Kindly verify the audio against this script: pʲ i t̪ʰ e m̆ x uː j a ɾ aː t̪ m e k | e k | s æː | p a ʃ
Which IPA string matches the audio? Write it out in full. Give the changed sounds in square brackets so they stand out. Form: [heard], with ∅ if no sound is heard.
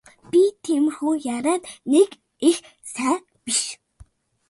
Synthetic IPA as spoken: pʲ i t̪ʰ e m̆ x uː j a ɾ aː t̪ [n] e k | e [x] | s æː | p [i] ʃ